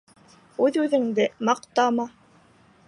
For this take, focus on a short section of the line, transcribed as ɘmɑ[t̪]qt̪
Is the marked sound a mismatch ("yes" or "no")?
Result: yes